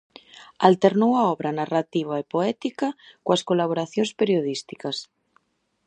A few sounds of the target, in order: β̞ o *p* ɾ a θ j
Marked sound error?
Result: yes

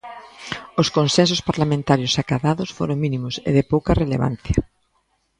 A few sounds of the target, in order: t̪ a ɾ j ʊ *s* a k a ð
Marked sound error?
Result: no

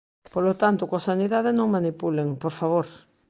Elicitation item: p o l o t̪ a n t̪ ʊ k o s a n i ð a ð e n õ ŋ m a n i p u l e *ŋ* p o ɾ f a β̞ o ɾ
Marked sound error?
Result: no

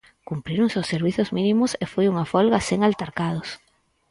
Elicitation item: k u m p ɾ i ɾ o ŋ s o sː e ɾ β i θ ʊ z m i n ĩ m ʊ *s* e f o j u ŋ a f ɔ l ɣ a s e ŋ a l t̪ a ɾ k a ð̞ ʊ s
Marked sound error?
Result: no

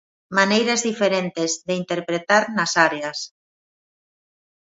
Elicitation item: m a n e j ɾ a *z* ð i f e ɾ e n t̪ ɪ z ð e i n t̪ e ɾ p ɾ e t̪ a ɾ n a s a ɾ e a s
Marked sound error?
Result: no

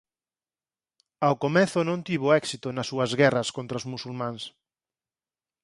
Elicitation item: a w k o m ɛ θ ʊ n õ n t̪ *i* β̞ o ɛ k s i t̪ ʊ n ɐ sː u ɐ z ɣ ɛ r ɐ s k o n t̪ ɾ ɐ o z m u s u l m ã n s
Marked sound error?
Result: no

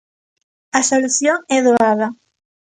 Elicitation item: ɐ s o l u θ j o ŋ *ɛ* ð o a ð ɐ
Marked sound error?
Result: no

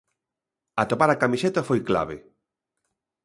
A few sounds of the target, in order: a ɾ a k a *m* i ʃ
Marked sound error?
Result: no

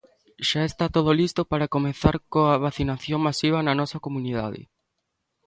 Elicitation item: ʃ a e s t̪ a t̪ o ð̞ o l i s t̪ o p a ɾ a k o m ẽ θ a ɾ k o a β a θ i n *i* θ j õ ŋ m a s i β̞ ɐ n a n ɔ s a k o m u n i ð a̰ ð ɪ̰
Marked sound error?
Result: yes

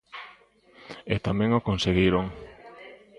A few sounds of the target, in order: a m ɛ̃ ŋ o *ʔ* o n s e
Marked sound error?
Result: yes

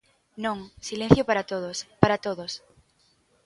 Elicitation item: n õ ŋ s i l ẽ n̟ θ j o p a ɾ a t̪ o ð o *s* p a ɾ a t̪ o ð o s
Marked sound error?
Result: no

